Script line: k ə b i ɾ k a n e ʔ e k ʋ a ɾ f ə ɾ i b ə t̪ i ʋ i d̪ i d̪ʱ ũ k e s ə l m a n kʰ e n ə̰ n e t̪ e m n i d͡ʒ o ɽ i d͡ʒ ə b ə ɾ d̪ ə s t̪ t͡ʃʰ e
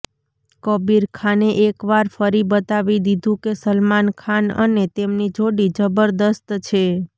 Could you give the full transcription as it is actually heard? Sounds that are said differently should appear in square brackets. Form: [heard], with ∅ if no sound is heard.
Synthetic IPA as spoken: k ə b i ɾ [kʰ] a n e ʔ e k ʋ a ɾ f ə ɾ i b ə t̪ [a] ʋ i d̪ i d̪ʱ ũ k e s ə l m a n kʰ [a] n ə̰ n e t̪ e m n i d͡ʒ o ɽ i d͡ʒ ə b ə ɾ d̪ ə s t̪ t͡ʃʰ e